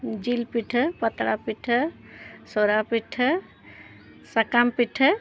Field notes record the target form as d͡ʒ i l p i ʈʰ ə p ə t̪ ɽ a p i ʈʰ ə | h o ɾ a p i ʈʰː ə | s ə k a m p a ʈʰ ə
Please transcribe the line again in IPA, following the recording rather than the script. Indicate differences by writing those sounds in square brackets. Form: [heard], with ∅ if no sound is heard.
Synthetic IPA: d͡ʒ i l p i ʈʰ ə p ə t̪ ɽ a p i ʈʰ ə | [s] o ɾ a p i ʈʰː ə | s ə k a m p [i] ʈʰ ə